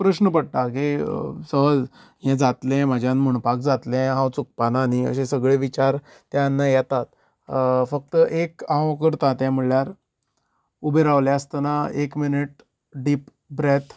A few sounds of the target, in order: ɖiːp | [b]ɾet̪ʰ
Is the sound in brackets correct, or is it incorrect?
correct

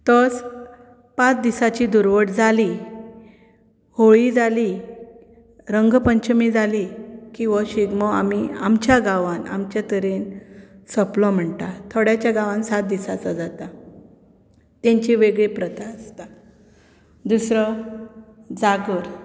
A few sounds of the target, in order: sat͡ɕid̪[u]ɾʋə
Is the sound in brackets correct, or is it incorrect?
correct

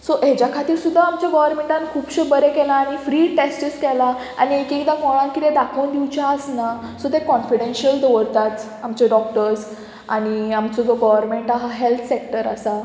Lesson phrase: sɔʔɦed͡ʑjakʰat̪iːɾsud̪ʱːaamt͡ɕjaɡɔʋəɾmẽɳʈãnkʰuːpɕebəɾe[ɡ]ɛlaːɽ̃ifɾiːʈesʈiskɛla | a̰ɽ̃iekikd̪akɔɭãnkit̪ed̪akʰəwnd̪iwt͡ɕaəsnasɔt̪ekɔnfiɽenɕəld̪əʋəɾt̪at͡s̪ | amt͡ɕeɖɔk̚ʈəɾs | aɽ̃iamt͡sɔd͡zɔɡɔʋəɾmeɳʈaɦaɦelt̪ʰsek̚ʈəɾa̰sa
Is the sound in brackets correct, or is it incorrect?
incorrect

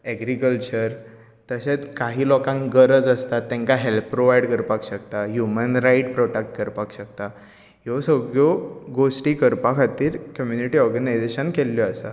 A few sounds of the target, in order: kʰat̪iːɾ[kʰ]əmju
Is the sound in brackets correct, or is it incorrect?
incorrect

